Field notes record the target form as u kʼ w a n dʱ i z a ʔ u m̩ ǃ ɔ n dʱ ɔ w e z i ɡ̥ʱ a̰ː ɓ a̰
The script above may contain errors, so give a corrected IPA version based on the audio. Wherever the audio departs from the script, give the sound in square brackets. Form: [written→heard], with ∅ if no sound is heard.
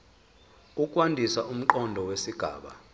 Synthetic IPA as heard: u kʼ w a n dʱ i [z→s] a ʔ u m̩ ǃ ɔ n dʱ ɔ w e [z→s] i ɡ̥ʱ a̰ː ɓ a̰